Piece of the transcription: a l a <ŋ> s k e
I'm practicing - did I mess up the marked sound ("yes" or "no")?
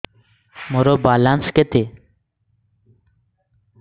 yes